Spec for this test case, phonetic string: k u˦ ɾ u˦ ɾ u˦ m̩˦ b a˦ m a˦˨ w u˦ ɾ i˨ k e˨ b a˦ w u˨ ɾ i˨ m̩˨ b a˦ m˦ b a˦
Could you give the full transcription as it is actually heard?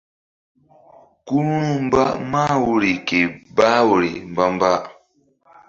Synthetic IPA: k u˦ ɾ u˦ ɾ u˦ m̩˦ b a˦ m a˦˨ w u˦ ɾ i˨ k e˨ b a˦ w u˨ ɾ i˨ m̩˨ b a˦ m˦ b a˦